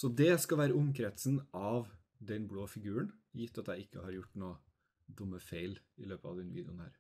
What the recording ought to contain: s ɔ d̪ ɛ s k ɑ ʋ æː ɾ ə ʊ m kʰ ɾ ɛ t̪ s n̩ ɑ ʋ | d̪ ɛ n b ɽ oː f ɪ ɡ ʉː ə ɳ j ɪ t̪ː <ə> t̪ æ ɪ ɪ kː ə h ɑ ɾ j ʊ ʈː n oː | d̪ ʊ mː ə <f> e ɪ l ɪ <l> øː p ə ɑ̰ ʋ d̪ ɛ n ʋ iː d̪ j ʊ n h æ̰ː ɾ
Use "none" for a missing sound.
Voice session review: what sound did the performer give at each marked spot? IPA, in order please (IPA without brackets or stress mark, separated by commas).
ɑ, f, l